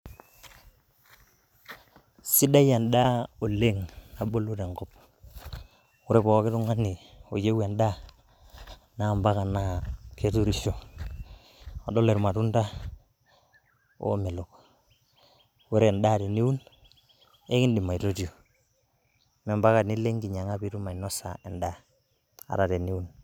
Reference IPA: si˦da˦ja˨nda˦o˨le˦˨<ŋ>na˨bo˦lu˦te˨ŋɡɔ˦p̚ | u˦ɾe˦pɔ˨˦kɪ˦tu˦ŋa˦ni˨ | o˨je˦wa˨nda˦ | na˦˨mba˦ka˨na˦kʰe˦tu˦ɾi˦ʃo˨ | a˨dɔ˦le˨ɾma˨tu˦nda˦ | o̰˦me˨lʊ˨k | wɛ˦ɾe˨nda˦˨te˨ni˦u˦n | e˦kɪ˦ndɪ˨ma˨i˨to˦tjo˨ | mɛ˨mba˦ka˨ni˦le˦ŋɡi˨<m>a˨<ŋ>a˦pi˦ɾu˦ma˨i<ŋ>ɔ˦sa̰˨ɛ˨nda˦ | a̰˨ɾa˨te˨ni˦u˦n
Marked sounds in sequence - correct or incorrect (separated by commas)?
correct, incorrect, correct, incorrect